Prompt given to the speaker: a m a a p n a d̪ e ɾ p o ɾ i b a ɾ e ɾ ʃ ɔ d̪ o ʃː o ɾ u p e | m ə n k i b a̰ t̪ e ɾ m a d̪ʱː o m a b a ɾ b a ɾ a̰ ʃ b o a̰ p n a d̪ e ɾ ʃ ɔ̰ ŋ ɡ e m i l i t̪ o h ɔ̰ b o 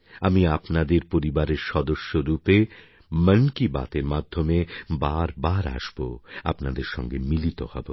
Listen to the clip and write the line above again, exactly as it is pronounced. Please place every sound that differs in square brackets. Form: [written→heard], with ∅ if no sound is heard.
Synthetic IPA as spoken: a m [a→i] a p n a d̪ e ɾ p o ɾ i b a ɾ e ɾ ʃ ɔ d̪ o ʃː o ɾ u p e | m ə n k i b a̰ t̪ e ɾ m a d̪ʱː o m [a→e] b a ɾ b a ɾ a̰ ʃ b o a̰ p n a d̪ e ɾ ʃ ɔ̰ ŋ ɡ e m i l i t̪ o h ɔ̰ b o